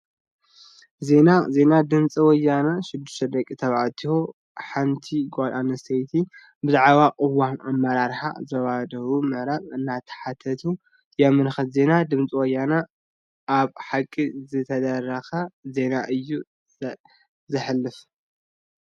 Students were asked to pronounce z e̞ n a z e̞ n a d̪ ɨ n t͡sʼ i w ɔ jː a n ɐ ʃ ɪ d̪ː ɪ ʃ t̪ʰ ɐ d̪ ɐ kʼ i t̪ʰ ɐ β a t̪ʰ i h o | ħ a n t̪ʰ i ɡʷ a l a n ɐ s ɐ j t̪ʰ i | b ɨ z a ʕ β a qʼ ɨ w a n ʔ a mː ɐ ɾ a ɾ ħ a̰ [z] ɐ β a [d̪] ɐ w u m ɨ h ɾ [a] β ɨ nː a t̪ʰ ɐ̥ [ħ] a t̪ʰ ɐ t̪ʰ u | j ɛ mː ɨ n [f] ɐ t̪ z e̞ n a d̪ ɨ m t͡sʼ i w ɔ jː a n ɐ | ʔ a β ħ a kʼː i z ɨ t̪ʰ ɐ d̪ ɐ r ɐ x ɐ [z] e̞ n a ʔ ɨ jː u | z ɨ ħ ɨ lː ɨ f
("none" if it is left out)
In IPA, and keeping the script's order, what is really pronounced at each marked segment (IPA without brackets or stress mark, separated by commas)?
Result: z, d̪, a, ħ, x, z